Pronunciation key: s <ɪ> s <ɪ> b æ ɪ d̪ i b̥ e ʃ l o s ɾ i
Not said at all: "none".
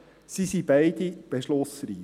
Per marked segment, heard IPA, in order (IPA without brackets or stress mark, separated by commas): i, i